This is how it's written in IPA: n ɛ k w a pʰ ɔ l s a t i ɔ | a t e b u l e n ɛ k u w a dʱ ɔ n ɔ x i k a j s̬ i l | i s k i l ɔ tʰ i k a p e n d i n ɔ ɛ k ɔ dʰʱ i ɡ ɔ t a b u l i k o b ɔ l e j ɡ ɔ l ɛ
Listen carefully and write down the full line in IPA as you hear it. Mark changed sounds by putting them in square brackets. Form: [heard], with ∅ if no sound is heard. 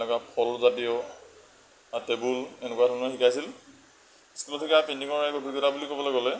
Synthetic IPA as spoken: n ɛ k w a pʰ ɔ l [z] a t i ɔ | a t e b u l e n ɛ k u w a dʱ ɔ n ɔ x i k a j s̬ i l | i s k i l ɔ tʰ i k a p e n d i [ŋ] ɔ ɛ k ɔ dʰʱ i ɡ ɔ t a b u l i k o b ɔ l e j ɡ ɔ l ɛ